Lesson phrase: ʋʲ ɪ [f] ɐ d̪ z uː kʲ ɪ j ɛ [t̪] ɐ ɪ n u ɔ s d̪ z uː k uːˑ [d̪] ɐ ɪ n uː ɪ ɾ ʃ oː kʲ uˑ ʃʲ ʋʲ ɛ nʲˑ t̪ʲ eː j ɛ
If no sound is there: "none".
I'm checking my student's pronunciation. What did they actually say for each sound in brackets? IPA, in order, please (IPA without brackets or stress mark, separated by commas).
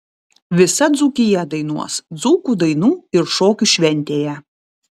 s, d̪, d̪